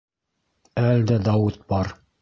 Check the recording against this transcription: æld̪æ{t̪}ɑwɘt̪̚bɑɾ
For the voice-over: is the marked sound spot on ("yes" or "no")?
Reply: no